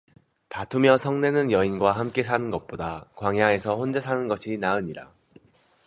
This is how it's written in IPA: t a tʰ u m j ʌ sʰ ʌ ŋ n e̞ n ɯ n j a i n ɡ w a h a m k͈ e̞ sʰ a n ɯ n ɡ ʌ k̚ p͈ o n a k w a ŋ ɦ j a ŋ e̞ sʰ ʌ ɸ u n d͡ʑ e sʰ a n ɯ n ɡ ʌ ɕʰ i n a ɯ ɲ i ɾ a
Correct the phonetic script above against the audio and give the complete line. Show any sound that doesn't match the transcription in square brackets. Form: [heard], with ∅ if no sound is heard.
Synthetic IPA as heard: t a tʰ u m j ʌ sʰ ʌ ŋ n e̞ n ɯ n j [ʌ] i n ɡ w a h a m k͈ e̞ sʰ a n ɯ n ɡ ʌ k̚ p͈ o [d] a k w a ŋ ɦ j a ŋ e̞ sʰ ʌ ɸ [o] n d͡ʑ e sʰ a n ɯ n ɡ ʌ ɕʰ i n a ɯ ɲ i ɾ a